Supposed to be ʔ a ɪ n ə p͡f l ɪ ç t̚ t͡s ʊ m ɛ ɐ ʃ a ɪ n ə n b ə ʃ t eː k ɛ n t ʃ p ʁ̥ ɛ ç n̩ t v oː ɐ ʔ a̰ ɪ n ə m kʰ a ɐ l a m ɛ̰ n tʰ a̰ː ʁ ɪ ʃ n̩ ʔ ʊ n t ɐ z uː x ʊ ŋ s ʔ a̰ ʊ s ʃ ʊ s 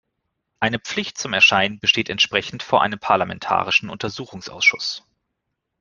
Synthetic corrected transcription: ʔ a ɪ n ə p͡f l ɪ ç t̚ t͡s ʊ m ɛ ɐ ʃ a ɪ n ə n b ə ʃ t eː t ɛ n t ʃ p ʁ̥ ɛ ç n̩ t f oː ɐ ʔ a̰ ɪ n ə m pʰ a ɐ l a m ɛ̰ n tʰ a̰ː ʁ ɪ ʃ n̩ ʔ ʊ n t ɐ z uː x ʊ ŋ s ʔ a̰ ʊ s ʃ ʊ s